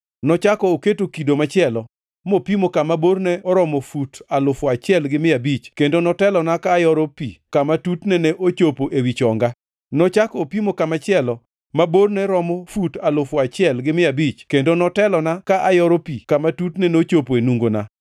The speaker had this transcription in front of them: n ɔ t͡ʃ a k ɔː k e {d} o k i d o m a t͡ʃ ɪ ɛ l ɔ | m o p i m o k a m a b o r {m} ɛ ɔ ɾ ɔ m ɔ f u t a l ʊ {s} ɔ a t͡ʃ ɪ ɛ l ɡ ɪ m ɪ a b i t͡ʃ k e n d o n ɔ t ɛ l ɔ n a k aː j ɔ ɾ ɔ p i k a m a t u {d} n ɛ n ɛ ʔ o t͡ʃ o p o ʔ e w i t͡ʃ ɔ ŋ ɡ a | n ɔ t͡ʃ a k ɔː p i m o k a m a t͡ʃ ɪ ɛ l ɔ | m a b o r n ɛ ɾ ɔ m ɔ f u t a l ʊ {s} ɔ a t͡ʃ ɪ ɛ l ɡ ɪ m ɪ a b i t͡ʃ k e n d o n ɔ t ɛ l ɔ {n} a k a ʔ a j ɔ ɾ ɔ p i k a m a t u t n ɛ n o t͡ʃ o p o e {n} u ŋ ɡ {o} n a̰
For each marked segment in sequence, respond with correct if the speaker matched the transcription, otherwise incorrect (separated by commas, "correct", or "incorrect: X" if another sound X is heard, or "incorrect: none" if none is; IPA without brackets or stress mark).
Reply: incorrect: t, incorrect: n, incorrect: f, incorrect: t, incorrect: f, correct, correct, correct